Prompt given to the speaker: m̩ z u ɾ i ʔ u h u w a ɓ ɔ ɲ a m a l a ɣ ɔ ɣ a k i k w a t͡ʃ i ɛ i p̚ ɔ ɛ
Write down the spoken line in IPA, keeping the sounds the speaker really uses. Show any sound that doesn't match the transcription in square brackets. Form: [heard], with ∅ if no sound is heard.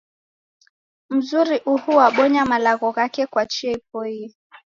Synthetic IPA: m̩ z u ɾ i ʔ u h u w a ɓ ɔ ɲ a m a l a ɣ ɔ ɣ a k [ɛ] k w a t͡ʃ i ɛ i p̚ ɔ [i]